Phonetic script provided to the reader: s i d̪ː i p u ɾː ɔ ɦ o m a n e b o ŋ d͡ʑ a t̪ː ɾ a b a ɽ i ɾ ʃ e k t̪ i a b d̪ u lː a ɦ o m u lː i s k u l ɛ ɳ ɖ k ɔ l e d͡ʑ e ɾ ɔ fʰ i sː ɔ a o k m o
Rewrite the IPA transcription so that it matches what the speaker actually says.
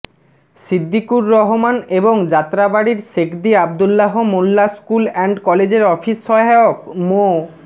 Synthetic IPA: s i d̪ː i k u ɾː ɔ ɦ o m a n e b o ŋ d͡ʑ a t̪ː ɾ a b a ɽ i ɾ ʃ e k d̪ i a b d̪ u lː a ɦ o m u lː a s k u l ɛ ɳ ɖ k ɔ l e d͡ʑ e ɾ ɔ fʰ i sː ɔ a o k m o